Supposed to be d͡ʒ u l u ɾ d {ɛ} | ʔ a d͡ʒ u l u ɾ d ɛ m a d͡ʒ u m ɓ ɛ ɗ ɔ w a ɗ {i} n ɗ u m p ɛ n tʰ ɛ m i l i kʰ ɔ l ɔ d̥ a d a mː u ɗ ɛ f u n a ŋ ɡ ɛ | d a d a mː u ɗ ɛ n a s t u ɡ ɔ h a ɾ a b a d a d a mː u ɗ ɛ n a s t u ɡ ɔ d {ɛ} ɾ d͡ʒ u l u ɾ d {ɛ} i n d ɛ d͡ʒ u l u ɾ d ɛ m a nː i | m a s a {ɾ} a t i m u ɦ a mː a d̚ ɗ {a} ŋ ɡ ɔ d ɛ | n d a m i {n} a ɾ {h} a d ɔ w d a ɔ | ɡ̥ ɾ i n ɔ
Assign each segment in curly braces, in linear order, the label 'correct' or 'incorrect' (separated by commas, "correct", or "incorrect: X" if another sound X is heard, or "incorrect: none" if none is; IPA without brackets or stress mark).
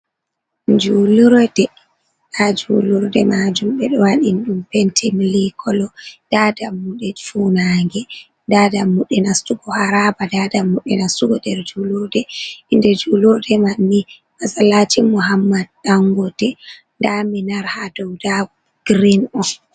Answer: correct, correct, correct, correct, incorrect: l, correct, correct, correct